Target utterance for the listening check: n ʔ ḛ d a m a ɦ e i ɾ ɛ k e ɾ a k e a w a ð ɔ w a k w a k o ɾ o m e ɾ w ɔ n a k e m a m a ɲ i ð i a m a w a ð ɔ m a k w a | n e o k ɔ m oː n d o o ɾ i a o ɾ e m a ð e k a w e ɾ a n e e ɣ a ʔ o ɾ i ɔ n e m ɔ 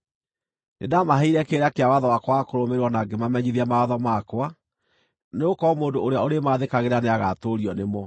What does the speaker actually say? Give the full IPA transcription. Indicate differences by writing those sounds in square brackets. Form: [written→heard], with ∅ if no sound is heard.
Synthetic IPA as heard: n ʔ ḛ d a m a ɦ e i ɾ ɛ k e ɾ a k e a w a ð ɔ w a k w a k o ɾ o m e ɾ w ɔ n a [k→ɡ] e m a m [a→ɛ] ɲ i ð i a m a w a ð ɔ m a k w a | n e o k ɔ m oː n d o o ɾ [i→e] a o ɾ e m a ð e k a [w→ɣ] e ɾ a n e [e→a] ɣ a [ʔ→t] o ɾ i ɔ n e m ɔ

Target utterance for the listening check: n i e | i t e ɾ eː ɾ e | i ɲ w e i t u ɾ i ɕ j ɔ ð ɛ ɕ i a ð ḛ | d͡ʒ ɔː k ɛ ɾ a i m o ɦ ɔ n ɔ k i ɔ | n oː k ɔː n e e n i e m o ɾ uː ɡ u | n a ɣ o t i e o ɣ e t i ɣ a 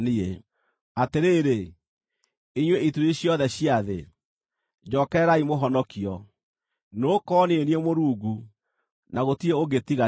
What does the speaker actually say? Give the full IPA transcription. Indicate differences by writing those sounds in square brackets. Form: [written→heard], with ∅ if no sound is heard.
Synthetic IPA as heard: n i e | [i→a] t e ɾ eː ɾ e | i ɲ w e i t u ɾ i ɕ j ɔ ð ɛ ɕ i a ð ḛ | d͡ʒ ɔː k ɛ ɾ a i m o ɦ ɔ n ɔ k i ɔ | n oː k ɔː n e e n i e m o ɾ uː ɡ u | n a ɣ o t i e o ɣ e t i ɣ a

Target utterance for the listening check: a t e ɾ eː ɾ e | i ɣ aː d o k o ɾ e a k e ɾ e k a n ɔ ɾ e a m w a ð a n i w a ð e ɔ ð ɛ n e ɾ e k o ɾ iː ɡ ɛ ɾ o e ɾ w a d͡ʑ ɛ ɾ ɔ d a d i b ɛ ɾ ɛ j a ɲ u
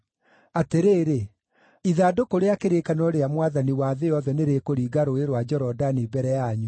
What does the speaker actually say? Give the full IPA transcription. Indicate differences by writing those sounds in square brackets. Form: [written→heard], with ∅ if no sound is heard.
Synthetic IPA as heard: a t e ɾ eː ɾ e | i [ɣ→ð] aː d o k o ɾ e a k e ɾ e k a n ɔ ɾ e a m w a ð a n i w a ð e ɔ ð ɛ n e ɾ e k o ɾ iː ɡ [ɛ→a] ɾ o e ɾ w a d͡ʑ ɛ ɾ ɔ d a [d→n] i b ɛ ɾ ɛ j a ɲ u

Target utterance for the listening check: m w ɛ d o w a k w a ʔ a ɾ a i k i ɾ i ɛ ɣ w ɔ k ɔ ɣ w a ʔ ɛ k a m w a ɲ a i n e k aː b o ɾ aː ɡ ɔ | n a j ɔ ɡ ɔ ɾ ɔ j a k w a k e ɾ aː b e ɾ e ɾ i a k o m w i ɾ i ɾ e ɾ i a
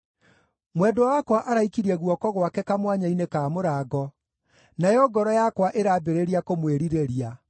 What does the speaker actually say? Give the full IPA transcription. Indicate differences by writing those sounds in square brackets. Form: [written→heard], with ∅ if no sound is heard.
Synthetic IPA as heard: m w ɛ d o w a k w a ʔ a ɾ a i k i ɾ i ɛ ɣ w ɔ k ɔ ɣ w a [ʔ→k] ɛ k a m w a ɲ a i n e k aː [b→m] o ɾ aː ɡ ɔ | n a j ɔ ɡ ɔ ɾ ɔ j a k w a [k→ʔ] e ɾ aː b e ɾ e ɾ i a k o m w [i→e] ɾ i ɾ e ɾ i a

